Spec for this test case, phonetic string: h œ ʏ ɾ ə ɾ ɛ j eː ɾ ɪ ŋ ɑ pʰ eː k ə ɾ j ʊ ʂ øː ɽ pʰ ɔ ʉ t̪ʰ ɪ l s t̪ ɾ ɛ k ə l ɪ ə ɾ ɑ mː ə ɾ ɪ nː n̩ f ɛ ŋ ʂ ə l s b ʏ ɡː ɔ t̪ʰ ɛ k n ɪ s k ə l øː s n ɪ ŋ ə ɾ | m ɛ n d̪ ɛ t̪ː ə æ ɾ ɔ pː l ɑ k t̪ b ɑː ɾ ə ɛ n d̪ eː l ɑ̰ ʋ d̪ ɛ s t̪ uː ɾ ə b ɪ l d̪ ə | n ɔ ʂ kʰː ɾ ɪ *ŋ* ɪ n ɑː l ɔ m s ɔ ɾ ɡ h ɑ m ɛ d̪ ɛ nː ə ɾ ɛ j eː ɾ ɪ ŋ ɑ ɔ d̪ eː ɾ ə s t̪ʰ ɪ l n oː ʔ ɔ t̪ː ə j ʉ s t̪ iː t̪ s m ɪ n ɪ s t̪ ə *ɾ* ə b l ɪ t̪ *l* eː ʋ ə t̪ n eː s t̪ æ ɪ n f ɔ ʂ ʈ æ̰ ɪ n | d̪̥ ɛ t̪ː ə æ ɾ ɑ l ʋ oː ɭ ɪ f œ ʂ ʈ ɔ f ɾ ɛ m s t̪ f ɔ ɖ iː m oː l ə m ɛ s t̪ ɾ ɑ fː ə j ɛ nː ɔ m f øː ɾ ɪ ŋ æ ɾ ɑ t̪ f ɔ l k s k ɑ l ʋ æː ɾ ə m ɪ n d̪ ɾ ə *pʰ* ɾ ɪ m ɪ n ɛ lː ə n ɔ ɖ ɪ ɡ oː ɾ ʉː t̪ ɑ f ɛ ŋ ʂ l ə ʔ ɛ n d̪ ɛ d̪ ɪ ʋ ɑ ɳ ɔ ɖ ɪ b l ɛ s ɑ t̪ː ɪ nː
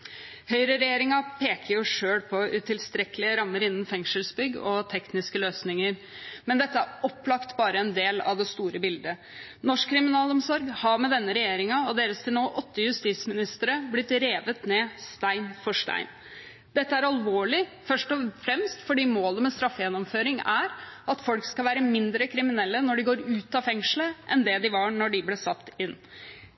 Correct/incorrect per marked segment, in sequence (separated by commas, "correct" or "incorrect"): incorrect, correct, incorrect, incorrect